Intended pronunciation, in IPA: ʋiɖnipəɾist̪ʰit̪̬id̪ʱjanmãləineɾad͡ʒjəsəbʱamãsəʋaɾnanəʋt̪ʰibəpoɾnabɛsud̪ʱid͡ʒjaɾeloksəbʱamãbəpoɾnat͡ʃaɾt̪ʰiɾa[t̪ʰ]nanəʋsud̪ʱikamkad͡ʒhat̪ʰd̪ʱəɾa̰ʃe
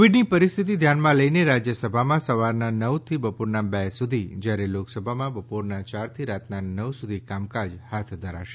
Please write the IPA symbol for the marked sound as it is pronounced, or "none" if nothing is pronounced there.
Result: t̪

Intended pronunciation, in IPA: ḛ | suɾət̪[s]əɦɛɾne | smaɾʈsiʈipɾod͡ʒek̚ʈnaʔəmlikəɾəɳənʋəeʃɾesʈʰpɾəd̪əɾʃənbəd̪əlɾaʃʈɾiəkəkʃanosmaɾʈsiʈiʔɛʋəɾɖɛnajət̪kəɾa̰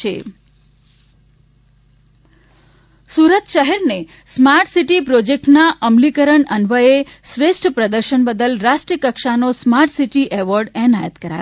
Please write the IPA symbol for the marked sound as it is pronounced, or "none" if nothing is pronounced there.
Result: ʃ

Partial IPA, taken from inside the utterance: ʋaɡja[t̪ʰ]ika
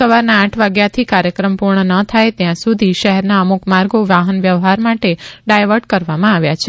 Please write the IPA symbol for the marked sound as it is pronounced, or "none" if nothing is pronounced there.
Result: t̪ʰ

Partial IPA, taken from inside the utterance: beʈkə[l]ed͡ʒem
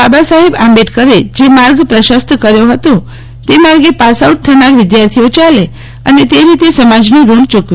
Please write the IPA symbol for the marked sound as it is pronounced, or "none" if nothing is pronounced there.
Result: ɾ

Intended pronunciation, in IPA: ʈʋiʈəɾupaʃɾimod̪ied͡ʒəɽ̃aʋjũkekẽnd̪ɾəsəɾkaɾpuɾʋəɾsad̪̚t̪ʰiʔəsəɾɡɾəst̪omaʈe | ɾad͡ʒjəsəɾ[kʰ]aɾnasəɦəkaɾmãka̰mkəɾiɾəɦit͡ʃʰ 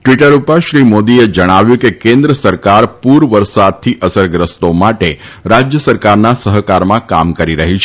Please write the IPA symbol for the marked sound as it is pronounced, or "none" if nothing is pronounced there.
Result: k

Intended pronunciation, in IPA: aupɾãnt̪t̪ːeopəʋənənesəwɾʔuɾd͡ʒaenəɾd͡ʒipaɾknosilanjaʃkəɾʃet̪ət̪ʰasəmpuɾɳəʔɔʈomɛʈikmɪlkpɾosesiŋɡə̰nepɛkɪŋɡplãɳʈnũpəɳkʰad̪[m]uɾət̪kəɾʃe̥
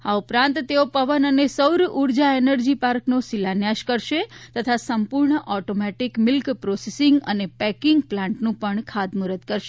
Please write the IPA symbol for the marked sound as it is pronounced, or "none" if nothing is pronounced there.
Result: m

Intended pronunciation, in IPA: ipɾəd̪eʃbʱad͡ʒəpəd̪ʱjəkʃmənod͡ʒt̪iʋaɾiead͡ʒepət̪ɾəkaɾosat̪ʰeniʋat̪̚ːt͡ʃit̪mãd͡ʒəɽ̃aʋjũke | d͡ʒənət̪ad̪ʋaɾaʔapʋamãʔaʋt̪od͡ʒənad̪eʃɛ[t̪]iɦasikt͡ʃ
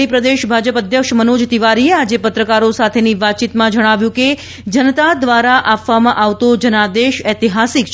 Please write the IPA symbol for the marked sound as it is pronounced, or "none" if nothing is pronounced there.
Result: t̪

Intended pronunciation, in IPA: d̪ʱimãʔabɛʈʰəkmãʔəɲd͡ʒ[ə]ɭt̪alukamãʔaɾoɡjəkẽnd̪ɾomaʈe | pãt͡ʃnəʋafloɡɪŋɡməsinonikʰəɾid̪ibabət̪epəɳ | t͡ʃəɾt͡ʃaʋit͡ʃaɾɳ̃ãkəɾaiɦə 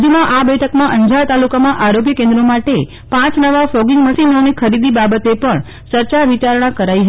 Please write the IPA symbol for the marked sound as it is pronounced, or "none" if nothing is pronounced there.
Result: a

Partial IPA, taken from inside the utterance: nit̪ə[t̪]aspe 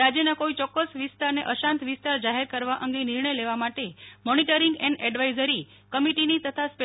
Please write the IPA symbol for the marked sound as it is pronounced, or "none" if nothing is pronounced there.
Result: t̪ʰ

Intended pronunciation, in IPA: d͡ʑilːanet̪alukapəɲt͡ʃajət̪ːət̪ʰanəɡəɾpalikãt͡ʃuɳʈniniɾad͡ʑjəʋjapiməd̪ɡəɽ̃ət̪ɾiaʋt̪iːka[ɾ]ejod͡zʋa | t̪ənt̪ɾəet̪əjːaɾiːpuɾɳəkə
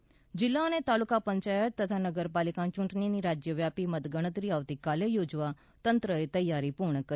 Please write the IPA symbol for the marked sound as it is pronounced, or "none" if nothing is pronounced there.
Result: l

